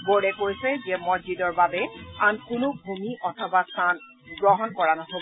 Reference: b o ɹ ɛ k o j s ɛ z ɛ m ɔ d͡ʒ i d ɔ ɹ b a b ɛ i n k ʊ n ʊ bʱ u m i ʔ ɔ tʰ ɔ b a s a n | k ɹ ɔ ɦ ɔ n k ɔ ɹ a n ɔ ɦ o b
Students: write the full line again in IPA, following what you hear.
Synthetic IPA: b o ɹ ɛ k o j s ɛ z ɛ m ɔ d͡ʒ i d ɔ ɹ b a b ɛ a n k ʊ n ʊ bʱ u m i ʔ ɔ tʰ ɔ b a s a n | ɡ ɹ ɔ ɦ ɔ n k ɔ ɹ a n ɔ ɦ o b